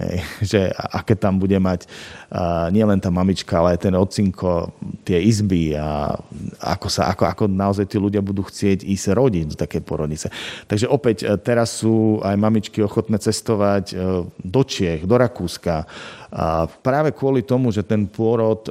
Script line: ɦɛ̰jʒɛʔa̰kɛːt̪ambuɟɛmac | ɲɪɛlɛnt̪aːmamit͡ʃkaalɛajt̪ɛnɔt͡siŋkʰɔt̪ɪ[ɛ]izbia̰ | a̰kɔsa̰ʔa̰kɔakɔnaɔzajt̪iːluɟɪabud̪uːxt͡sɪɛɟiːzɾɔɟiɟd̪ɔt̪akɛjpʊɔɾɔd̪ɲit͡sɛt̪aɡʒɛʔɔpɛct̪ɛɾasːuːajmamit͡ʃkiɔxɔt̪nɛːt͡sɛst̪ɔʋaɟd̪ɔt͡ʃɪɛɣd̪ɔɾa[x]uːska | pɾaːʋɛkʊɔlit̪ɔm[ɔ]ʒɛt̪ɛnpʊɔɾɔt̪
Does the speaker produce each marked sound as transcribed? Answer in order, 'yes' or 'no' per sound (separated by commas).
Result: yes, no, no